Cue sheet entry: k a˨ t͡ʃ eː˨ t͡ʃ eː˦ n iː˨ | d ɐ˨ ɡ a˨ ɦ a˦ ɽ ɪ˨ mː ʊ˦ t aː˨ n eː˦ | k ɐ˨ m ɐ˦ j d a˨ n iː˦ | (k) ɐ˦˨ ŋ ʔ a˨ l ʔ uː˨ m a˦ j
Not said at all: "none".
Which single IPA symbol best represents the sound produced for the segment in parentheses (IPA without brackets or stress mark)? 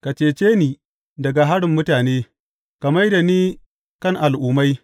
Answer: k